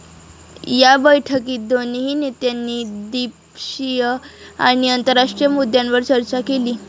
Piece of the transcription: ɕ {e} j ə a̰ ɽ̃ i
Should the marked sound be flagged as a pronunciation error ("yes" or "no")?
yes